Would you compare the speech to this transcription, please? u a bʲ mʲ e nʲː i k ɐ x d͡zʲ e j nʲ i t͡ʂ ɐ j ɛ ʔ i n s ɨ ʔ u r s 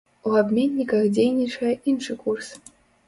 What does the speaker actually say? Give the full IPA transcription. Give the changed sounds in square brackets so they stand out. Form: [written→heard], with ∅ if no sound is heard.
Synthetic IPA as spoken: u a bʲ mʲ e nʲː i k ɐ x d͡zʲ e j nʲ i t͡ʂ ɐ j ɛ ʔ i n [s→ʂ] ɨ [ʔ→k] u r s

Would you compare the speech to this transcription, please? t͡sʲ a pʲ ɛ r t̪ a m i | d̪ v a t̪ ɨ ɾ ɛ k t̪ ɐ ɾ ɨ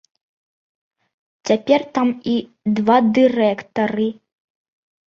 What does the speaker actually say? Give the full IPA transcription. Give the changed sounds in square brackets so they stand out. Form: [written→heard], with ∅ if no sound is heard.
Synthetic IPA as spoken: t͡sʲ a pʲ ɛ r t̪ a m i | d̪ v a [t̪→d̪] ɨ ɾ ɛ k t̪ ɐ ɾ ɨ

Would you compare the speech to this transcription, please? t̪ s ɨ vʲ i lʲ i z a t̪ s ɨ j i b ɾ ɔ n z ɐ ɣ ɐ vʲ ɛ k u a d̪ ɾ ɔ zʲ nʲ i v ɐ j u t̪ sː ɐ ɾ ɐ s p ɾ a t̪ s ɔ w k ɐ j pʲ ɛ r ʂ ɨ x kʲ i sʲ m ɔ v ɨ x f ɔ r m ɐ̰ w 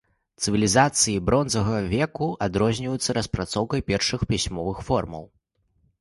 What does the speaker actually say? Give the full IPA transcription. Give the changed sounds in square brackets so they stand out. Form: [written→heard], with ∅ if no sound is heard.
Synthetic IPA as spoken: t̪ s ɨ vʲ i lʲ i z a t̪ s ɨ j i b ɾ ɔ n z ɐ ɣ ɐ vʲ ɛ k u a d̪ ɾ ɔ zʲ nʲ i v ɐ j u t̪ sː ɐ ɾ ɐ s p ɾ a t̪ s ɔ w k ɐ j pʲ ɛ r ʂ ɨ x [kʲ→pʲ] i sʲ m ɔ v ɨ x f ɔ r m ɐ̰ w

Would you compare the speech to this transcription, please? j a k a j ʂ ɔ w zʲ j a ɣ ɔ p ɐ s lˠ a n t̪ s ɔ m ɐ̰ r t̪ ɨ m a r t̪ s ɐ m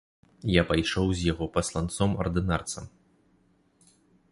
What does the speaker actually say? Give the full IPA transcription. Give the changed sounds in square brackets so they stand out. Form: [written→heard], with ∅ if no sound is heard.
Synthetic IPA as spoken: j a [k→p] a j ʂ ɔ w zʲ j a ɣ ɔ p ɐ s lˠ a n t̪ s ɔ m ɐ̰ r [t̪→d̪] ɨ [m→n] a r t̪ s ɐ m

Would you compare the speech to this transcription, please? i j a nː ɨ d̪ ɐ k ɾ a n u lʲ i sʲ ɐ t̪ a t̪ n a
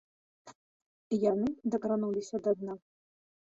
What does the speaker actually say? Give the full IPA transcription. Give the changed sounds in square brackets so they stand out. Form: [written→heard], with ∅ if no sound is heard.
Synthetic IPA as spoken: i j a [nː→n] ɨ d̪ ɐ k ɾ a n u lʲ i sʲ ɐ [t̪→d̪] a [t̪→d̪] n a

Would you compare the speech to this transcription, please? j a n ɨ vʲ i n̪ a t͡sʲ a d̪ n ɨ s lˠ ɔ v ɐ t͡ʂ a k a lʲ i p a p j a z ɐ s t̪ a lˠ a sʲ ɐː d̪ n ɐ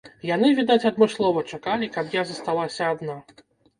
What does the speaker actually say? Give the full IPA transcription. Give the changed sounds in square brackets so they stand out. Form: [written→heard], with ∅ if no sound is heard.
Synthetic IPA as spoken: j a n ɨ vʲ i [n̪→d̪] a t͡sʲ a d̪ [n→m] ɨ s lˠ ɔ v ɐ t͡ʂ a k a lʲ i [p→k] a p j a z ɐ s t̪ a lˠ a sʲ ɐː d̪ n [ɐ→a]

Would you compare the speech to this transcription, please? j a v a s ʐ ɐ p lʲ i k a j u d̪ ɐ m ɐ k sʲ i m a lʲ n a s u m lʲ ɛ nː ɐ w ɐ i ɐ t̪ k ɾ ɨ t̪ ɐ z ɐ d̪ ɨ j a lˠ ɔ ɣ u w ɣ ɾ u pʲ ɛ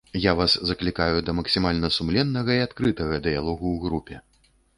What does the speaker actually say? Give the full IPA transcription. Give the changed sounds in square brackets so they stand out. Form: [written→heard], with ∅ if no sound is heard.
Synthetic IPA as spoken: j a v a s [ʐ→z] ɐ [p→k] lʲ i k a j u d̪ ɐ m ɐ k sʲ i m a lʲ n [a→ɐ] s u m lʲ ɛ nː ɐ [w→ɣ] ɐ i [ɐ→a] t̪ k ɾ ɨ t̪ ɐ [z→ɣ] ɐ d̪ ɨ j a lˠ ɔ ɣ u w ɣ ɾ u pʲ ɛ

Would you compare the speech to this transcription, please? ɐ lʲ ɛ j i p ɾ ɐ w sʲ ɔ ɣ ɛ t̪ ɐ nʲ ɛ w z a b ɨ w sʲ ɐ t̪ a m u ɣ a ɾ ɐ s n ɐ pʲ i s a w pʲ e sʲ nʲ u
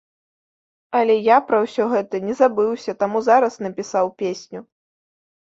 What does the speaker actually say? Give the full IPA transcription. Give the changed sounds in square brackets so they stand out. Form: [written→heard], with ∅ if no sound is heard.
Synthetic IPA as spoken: ɐ lʲ ɛ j [i→a] p ɾ ɐ w sʲ ɔ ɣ ɛ t̪ ɐ nʲ ɛ [w→∅] z a b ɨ w sʲ ɐ t̪ a m u [ɣ→z] a ɾ ɐ s n ɐ pʲ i s a w pʲ e sʲ nʲ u

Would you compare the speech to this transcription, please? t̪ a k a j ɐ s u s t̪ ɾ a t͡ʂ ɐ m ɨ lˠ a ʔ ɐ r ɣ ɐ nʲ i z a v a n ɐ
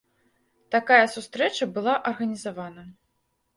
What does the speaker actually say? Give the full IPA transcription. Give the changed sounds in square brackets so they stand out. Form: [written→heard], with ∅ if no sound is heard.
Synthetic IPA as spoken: t̪ a k a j ɐ s u s t̪ ɾ [a→ɛ] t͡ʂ ɐ [m→b] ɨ lˠ a ʔ ɐ r ɣ ɐ nʲ i z a v a n ɐ

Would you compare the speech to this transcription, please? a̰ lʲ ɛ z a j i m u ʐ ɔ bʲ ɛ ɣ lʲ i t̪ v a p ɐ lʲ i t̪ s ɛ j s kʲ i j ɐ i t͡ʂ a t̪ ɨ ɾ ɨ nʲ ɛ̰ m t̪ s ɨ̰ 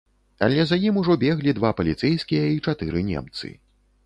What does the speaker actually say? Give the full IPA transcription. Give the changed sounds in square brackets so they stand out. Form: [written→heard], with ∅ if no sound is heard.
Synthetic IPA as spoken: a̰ lʲ ɛ z a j i m u ʐ ɔ bʲ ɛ ɣ lʲ i [t̪→d̪] v a p ɐ lʲ i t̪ s ɛ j s kʲ i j ɐ i t͡ʂ a t̪ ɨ ɾ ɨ nʲ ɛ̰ m t̪ s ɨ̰

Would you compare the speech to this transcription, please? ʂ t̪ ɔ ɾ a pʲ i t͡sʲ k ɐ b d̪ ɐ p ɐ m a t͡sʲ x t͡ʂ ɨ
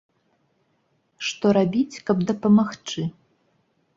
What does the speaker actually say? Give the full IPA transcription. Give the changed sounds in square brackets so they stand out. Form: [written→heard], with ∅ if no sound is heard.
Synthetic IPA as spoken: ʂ t̪ ɔ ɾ a [pʲ→bʲ] i t͡sʲ k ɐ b d̪ ɐ p ɐ m a [t͡sʲ→∅] x t͡ʂ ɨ

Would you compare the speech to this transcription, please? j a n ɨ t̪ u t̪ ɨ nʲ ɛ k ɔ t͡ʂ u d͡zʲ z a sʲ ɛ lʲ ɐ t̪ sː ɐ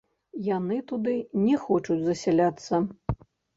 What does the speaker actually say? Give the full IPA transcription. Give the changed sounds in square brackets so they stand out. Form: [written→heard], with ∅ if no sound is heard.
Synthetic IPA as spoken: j a n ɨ t̪ u [t̪→d̪] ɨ nʲ ɛ [k→x] ɔ t͡ʂ u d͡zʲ z [a→ɐ] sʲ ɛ lʲ [ɐ→a] t̪ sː ɐ

